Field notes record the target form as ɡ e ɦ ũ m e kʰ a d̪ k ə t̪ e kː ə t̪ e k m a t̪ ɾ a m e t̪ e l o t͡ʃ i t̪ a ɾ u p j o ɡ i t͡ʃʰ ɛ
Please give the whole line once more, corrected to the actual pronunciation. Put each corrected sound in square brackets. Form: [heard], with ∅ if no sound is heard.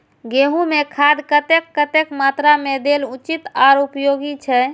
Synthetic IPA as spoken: ɡ e ɦ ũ m e kʰ a d̪ k ə t̪ e kː ə t̪ e k m a t̪ ɾ a m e [d̪] e l [u] t͡ʃ i t̪ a ɾ u p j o ɡ i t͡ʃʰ ɛ